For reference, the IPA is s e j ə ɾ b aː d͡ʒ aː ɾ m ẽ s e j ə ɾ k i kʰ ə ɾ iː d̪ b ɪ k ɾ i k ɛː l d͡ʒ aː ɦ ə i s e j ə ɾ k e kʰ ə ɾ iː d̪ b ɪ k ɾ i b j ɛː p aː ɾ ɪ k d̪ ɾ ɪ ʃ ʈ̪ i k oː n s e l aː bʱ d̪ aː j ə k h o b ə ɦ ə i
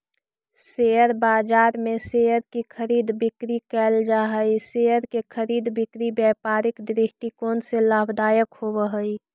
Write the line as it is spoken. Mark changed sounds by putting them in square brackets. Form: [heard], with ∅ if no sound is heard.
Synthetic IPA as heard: s e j ə ɾ b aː d͡ʒ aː ɾ m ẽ s e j ə ɾ k i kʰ ə ɾ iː d̪ b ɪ k ɾ i k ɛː l d͡ʒ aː ɦ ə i s e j ə ɾ k e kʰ ə ɾ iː d̪ b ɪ k ɾ i b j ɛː p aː ɾ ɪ k d̪ ɾ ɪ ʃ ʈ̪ i k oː n s e l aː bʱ d̪ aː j ə k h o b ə ɦ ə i